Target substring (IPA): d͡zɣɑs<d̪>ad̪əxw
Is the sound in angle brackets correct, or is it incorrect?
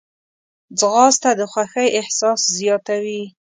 incorrect: t̪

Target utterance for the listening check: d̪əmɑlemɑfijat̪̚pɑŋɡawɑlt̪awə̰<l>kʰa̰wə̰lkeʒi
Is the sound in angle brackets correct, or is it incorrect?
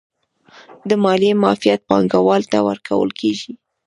incorrect: ɾ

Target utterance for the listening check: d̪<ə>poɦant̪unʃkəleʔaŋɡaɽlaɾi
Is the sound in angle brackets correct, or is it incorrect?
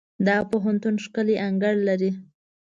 incorrect: ɑ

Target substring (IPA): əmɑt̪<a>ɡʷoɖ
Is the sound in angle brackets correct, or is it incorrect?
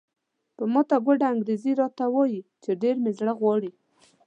correct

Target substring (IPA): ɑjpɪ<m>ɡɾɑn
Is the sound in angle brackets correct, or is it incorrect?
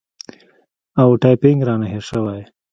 incorrect: ŋ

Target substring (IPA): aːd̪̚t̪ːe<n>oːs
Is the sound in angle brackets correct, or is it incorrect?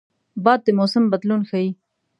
incorrect: m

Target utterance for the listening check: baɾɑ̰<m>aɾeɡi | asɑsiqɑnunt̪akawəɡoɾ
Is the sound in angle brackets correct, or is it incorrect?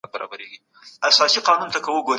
incorrect: b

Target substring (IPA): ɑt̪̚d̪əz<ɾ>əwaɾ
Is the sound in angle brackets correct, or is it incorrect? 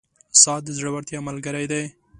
incorrect: ɽ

